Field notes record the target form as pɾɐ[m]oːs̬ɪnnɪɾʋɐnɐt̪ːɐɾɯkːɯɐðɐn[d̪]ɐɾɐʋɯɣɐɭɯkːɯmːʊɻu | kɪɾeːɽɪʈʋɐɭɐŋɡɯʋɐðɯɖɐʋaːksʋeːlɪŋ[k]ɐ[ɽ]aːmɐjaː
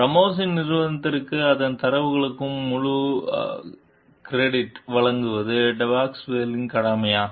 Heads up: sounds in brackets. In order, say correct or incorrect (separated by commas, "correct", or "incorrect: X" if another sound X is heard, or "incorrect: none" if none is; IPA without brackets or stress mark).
correct, incorrect: t̪, correct, correct